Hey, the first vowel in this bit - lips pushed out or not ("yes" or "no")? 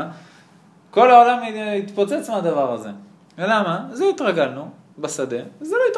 yes